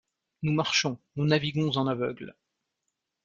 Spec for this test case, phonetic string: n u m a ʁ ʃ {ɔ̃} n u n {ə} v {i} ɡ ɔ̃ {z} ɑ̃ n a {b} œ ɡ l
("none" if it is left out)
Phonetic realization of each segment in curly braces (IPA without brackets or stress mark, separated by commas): ɔ̃, a, i, z, v